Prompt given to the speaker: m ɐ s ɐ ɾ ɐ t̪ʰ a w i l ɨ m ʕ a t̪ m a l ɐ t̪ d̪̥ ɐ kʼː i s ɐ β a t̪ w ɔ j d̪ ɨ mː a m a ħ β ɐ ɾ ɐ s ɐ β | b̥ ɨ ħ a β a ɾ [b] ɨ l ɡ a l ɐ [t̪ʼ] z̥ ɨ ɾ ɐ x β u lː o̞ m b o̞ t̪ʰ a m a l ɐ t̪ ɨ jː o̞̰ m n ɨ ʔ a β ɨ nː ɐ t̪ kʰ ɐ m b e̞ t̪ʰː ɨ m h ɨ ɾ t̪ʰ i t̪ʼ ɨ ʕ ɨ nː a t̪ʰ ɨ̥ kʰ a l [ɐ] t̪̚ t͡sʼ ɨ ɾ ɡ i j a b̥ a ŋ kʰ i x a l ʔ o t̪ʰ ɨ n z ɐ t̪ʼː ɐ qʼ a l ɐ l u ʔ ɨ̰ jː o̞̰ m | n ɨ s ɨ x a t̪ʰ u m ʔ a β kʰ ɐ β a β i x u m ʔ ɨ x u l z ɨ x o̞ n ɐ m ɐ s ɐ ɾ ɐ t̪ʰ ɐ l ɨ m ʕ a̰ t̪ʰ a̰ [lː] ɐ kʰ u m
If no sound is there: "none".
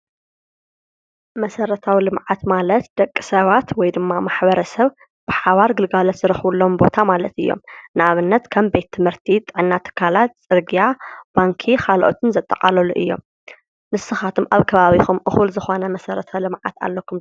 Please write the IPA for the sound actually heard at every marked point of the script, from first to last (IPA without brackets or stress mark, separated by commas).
ɡ, t̪, a, lː